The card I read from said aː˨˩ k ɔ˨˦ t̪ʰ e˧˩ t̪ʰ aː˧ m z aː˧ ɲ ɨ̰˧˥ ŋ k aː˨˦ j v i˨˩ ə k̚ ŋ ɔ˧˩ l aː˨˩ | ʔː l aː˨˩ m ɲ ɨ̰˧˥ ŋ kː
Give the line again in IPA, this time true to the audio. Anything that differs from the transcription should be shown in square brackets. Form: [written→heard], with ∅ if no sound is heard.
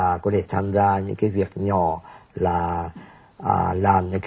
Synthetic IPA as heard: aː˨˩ k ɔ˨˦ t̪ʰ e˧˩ t̪ʰ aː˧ m z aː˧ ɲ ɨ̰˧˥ ŋ k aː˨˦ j v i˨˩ ə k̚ [ŋ→ɲ] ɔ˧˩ l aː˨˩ | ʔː l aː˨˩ m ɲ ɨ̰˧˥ ŋ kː